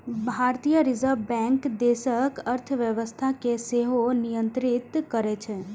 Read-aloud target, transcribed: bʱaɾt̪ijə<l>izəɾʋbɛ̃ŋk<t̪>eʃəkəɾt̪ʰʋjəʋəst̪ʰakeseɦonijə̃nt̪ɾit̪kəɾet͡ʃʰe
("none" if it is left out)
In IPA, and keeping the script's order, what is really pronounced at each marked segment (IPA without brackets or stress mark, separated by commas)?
ɾ, d̪